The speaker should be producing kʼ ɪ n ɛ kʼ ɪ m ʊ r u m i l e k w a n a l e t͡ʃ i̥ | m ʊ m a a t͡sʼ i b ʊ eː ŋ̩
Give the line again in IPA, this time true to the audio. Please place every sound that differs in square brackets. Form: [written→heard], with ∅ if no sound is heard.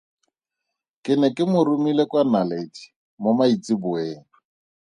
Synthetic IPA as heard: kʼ ɪ n ɛ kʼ ɪ m ʊ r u m i l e k w a n a l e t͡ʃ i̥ | m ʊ m a [a→i] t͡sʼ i b ʊ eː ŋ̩